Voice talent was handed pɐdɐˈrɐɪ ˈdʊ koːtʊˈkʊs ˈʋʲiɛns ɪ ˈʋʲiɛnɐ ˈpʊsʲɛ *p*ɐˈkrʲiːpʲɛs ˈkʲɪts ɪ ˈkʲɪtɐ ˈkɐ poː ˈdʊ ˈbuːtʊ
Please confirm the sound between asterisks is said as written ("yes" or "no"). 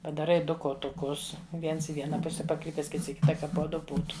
yes